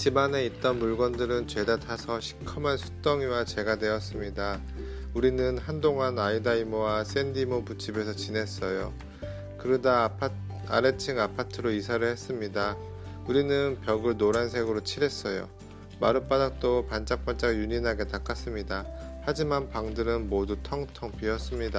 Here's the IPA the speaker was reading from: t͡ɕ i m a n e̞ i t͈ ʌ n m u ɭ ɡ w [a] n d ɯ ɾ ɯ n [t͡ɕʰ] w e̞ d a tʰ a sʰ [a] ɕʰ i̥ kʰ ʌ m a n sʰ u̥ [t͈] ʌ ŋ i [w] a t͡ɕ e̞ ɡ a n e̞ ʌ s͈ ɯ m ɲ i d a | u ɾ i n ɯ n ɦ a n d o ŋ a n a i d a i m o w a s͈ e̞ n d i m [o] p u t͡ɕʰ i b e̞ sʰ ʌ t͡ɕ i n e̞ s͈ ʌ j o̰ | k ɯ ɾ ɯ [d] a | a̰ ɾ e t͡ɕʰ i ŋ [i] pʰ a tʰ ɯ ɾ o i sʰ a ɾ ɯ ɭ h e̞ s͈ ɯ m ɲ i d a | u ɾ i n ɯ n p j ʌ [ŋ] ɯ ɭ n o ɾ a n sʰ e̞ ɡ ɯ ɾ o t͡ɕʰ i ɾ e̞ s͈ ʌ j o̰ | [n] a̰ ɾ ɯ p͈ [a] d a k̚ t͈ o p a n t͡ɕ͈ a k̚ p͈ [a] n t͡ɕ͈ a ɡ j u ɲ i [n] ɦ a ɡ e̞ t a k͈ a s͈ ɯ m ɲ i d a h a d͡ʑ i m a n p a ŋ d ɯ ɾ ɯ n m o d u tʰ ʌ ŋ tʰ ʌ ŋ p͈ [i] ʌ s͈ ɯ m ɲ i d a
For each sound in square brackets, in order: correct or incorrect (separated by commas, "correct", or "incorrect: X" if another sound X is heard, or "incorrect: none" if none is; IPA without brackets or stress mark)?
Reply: incorrect: ʌ, incorrect: t͡ɕ, incorrect: ʌ, correct, correct, correct, correct, incorrect: a, incorrect: ɡ, incorrect: m, correct, correct, correct, correct